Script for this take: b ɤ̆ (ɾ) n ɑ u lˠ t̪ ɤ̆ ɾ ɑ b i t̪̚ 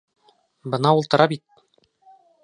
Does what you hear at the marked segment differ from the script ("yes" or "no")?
yes